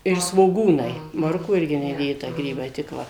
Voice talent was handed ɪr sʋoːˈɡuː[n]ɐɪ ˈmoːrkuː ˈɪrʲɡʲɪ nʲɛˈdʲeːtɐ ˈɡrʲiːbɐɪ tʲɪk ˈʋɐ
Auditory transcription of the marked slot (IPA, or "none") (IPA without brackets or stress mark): n